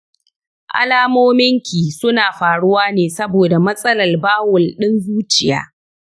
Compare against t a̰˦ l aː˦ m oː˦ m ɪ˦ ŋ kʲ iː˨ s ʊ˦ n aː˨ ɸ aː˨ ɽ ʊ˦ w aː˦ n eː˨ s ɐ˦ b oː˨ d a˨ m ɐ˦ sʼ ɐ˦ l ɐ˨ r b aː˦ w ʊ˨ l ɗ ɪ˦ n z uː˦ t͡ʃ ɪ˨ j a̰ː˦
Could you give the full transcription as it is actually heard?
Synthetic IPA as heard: ʔ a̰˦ l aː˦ m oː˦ m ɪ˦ ŋ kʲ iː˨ s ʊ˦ n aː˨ ɸ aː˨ ɽ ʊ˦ w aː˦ n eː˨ s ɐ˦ b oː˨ d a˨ m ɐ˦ sʼ ɐ˦ l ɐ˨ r b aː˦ w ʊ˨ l ɗ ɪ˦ n z uː˦ t͡ʃ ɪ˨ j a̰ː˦